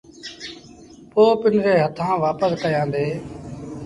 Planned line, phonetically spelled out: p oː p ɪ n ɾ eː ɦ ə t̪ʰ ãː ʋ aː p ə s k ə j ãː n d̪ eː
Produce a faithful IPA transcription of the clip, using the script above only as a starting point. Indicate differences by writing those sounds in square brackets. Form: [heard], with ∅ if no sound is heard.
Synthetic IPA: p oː p ɪ n ɾ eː ɦ ə t̪ʰ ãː ʋ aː p ə s k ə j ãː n d̪ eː